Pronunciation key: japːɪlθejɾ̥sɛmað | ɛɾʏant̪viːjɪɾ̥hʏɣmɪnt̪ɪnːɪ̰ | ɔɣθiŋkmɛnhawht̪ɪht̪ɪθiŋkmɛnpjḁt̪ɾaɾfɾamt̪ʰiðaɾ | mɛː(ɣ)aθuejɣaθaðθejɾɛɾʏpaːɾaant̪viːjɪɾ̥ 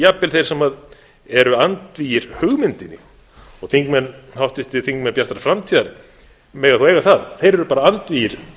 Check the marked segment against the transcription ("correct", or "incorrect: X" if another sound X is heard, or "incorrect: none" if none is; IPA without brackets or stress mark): correct